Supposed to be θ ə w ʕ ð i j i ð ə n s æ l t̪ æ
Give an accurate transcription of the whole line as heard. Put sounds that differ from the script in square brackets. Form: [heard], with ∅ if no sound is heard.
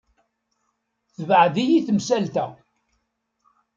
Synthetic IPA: θ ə [v] ʕ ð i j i [θ] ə [m] s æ l t̪ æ